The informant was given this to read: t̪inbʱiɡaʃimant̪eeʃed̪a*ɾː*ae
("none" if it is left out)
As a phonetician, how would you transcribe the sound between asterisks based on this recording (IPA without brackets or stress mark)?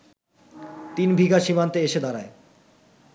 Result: ɾ